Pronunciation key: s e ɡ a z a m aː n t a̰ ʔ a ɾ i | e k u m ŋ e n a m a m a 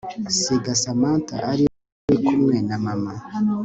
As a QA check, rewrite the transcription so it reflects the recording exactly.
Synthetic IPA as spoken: s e ɡ a s a m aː n t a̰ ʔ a ɾ i | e k u m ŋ e n a m a m a